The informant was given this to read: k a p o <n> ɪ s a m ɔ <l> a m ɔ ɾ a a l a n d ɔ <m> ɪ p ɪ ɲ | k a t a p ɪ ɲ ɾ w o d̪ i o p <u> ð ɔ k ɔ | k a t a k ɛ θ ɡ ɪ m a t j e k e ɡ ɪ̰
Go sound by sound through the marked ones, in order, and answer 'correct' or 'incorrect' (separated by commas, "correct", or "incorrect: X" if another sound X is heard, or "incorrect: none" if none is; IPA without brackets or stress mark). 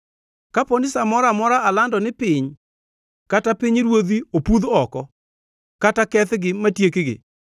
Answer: correct, incorrect: ɾ, incorrect: n, correct